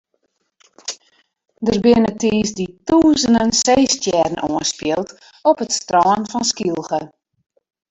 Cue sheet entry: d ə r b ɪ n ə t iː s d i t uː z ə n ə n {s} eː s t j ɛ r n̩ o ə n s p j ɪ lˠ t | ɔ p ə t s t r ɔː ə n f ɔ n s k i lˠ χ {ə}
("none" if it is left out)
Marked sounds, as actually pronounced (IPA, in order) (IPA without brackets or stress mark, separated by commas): s, ə